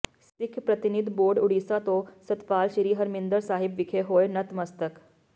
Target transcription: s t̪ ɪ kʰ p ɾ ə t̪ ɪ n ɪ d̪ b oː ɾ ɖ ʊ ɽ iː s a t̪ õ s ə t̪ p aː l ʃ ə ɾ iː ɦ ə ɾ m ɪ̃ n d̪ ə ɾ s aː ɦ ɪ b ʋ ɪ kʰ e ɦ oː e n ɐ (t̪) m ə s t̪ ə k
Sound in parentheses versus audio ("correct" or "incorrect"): correct